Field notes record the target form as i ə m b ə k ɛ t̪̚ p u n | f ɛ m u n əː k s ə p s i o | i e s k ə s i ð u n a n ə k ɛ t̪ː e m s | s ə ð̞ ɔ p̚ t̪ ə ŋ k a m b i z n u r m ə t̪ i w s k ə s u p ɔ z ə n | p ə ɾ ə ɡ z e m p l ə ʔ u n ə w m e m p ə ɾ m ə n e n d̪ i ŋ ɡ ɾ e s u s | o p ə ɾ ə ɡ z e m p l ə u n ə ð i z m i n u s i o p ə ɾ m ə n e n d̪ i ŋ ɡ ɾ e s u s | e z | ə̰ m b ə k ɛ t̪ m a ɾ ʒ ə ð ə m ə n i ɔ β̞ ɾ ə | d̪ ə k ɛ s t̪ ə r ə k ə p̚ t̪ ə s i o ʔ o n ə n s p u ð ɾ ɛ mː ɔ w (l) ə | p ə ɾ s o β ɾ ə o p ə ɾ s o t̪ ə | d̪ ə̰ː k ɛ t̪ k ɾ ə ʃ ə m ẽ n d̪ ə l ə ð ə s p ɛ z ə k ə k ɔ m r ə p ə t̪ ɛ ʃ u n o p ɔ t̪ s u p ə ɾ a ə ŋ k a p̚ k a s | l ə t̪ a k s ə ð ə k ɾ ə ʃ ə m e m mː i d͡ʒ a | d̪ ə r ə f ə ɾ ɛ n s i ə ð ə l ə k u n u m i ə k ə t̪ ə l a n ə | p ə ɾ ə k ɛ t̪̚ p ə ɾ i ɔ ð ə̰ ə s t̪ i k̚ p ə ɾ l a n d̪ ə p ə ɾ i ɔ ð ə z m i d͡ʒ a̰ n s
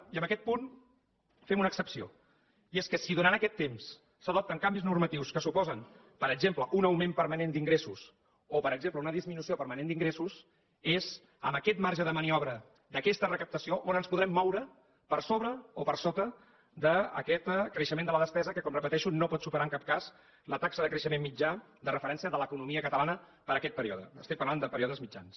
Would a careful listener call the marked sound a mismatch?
yes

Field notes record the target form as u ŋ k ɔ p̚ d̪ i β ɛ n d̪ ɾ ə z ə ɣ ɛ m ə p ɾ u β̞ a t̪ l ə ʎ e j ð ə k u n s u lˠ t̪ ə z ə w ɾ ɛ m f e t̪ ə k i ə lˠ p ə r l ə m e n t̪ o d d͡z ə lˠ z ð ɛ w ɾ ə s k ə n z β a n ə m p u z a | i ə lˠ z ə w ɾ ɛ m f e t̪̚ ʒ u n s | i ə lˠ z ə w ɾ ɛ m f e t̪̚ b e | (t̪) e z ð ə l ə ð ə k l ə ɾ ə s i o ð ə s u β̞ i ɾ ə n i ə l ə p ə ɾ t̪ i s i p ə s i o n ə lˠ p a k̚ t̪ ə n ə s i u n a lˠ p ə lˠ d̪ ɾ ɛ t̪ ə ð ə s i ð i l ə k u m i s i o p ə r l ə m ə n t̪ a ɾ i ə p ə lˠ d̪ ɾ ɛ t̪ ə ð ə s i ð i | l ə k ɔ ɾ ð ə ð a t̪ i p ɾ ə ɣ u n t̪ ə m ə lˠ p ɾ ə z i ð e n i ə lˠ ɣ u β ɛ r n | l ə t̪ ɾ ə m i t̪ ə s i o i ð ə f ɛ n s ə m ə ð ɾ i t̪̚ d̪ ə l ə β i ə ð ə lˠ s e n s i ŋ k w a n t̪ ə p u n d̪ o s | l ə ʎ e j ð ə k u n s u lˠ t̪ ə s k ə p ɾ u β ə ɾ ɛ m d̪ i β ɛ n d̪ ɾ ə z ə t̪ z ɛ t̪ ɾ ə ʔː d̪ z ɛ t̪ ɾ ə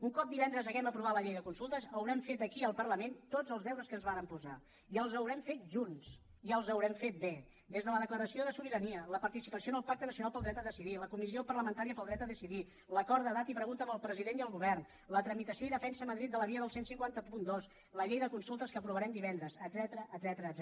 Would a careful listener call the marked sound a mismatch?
yes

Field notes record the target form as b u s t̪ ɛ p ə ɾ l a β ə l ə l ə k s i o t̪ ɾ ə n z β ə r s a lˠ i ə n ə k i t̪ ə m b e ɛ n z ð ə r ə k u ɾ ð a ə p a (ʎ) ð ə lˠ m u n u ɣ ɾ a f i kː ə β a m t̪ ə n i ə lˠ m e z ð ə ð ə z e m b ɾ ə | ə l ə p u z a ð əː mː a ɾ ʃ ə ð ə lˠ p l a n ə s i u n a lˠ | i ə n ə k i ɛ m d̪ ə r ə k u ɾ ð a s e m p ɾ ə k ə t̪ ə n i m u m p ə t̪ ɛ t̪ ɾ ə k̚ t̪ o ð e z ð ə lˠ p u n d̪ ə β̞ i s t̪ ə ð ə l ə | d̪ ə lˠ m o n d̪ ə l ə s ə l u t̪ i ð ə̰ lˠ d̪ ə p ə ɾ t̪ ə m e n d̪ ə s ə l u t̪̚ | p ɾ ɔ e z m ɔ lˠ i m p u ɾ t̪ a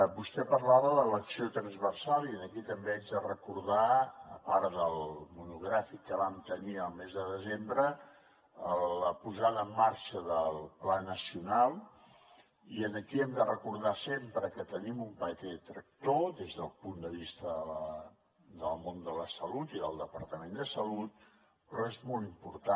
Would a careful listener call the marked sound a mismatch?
yes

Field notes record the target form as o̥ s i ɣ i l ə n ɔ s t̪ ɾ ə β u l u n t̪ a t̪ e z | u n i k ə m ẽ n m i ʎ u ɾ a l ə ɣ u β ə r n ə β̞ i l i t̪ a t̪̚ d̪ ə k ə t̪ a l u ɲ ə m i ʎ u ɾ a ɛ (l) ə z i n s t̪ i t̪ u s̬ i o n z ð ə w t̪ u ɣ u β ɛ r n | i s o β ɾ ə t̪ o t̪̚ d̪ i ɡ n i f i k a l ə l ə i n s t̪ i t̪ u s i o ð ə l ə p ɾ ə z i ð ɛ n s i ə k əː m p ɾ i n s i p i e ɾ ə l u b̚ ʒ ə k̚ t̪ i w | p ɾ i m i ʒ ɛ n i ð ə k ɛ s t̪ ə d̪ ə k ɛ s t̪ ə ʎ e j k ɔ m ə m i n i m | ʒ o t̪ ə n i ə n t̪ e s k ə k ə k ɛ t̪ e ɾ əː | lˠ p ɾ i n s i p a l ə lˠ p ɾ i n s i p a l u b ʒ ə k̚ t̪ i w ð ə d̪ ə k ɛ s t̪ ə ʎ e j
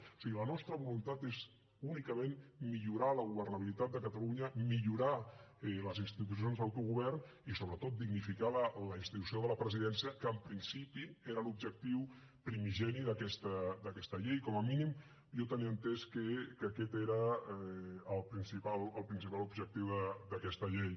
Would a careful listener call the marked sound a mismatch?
no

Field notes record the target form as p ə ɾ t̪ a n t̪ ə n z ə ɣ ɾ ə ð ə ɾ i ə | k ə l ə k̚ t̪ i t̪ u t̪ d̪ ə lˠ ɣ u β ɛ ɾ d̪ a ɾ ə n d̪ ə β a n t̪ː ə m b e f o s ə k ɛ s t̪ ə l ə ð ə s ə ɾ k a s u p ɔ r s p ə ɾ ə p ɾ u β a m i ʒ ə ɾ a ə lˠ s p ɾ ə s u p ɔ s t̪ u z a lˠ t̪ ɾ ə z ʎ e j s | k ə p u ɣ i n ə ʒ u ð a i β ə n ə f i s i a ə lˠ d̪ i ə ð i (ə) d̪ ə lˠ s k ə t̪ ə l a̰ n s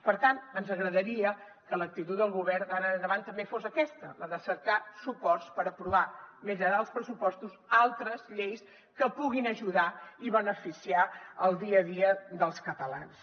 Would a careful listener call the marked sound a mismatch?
no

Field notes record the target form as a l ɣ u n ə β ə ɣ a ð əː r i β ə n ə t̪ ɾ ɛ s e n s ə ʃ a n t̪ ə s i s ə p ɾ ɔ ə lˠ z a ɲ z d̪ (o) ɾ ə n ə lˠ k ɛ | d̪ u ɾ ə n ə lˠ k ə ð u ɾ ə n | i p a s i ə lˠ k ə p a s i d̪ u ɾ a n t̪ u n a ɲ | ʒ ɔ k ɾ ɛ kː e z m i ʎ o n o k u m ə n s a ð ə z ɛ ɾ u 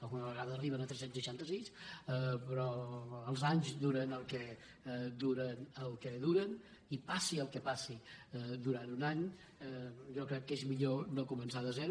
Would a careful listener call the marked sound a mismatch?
yes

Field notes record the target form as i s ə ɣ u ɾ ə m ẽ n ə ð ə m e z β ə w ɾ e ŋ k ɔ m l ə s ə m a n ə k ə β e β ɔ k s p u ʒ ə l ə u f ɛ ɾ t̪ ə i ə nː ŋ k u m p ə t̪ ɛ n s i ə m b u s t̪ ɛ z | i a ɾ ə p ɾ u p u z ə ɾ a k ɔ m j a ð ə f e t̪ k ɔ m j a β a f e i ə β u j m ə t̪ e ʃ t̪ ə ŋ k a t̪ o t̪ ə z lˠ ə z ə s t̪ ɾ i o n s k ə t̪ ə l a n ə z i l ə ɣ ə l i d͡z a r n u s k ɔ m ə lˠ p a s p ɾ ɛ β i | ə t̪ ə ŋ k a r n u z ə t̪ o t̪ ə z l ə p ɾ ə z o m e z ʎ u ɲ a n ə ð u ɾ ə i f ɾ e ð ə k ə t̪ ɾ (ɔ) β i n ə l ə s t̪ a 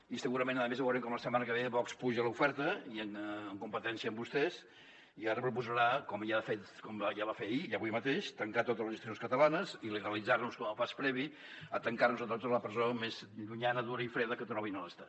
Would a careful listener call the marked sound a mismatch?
no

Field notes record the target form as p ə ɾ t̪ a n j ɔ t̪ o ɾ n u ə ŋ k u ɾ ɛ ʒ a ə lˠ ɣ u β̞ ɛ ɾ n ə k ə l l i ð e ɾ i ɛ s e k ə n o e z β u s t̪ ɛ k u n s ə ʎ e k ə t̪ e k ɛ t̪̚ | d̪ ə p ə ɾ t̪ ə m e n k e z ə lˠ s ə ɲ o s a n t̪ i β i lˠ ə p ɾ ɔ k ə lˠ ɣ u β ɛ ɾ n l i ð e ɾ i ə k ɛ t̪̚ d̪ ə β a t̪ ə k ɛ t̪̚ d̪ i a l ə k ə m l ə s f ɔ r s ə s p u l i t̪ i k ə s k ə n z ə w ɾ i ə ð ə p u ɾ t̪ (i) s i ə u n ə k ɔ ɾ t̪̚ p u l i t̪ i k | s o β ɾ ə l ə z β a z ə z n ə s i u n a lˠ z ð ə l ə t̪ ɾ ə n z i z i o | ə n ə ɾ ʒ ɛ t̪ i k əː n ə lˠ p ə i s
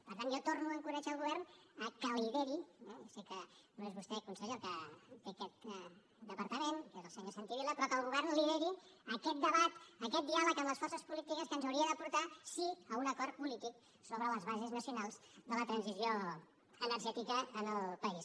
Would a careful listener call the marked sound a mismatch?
yes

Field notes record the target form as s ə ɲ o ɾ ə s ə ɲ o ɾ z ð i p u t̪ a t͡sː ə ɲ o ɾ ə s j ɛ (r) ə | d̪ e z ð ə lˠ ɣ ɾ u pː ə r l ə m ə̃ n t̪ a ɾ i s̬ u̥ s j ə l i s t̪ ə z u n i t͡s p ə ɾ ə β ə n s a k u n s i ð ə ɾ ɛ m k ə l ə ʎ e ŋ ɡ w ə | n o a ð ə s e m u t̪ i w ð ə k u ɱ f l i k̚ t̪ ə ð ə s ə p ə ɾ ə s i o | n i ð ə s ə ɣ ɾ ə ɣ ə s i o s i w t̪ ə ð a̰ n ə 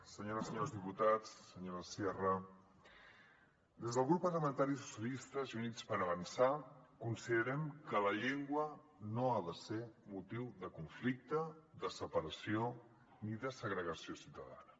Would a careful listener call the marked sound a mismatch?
no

